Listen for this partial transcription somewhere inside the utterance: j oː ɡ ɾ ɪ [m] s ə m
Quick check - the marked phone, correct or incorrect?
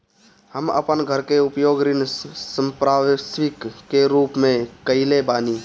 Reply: incorrect